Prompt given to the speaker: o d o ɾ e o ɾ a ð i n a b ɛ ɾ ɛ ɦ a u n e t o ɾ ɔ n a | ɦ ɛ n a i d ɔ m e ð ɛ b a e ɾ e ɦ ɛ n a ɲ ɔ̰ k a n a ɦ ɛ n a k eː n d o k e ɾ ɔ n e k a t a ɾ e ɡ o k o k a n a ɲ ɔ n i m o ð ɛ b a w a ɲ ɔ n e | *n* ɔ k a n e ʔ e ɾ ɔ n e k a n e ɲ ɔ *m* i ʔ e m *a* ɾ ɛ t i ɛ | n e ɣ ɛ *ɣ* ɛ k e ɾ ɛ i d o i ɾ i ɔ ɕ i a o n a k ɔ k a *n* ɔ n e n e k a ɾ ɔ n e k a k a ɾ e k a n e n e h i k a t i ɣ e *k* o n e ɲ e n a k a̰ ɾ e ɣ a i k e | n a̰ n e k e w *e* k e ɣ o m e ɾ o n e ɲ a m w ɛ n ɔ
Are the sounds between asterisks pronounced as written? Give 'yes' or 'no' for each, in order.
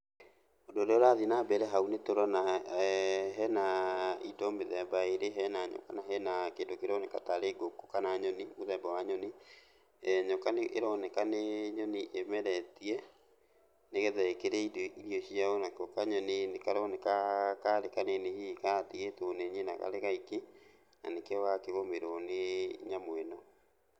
no, no, no, no, no, no, no

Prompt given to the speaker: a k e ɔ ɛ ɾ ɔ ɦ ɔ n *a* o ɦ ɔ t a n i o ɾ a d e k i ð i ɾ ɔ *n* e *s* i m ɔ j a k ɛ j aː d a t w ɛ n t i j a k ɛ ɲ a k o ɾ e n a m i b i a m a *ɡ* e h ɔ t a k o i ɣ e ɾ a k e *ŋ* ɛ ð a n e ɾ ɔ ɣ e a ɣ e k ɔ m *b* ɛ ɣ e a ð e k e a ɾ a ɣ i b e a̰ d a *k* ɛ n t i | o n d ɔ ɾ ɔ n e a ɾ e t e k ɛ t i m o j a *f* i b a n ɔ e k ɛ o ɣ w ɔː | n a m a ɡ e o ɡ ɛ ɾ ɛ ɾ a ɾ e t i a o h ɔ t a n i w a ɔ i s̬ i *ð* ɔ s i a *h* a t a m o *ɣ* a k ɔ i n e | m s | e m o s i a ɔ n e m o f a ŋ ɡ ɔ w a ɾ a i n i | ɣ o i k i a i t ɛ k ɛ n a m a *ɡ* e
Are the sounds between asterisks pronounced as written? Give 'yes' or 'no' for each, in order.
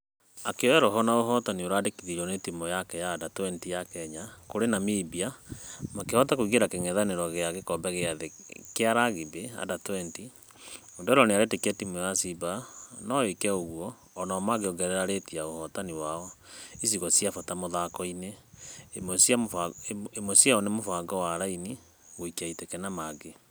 yes, yes, no, no, yes, yes, no, no, no, no, no, yes

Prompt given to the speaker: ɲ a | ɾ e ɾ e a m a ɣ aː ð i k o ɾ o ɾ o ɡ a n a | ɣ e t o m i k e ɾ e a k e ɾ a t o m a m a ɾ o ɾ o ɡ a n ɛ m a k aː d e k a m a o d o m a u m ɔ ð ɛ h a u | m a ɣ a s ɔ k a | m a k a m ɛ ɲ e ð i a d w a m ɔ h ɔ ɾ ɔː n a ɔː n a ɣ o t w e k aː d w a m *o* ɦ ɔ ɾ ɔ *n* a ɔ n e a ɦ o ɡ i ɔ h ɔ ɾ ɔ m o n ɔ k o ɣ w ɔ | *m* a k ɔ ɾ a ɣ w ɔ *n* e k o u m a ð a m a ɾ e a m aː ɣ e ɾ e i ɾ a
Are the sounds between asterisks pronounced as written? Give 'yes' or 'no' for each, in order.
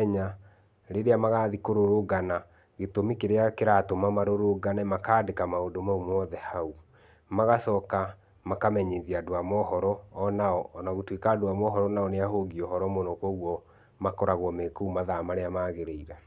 no, yes, yes, no

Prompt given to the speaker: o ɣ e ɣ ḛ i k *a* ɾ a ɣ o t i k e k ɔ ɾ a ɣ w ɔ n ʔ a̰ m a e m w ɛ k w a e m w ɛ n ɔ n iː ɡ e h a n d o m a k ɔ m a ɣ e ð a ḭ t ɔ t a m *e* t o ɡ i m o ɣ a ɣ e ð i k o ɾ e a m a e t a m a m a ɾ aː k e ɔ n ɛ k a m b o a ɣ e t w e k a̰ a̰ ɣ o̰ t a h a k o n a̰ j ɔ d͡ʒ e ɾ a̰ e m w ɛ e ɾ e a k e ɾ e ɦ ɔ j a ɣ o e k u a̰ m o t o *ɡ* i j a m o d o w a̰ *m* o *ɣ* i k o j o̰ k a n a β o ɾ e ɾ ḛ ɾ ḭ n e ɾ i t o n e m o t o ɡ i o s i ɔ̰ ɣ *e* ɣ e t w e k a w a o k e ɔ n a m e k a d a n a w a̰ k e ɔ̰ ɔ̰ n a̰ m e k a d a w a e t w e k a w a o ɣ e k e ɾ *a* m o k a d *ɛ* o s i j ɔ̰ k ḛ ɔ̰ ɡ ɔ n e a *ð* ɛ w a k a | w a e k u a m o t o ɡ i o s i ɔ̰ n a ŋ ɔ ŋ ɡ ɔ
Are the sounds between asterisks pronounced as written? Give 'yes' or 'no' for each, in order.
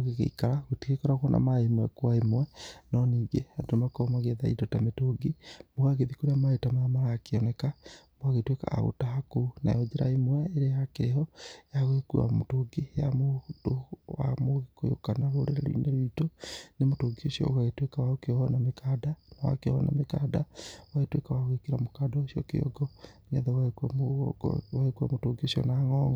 yes, yes, yes, yes, yes, no, yes, no, yes

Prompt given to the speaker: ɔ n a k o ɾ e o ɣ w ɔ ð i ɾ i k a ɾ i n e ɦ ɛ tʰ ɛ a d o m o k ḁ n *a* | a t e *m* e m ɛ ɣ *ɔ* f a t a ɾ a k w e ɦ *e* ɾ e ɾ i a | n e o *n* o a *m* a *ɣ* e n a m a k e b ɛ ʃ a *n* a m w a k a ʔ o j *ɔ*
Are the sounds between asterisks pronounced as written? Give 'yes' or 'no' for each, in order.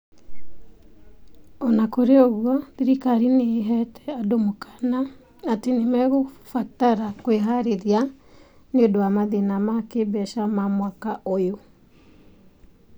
yes, no, no, no, no, yes, no, no, no

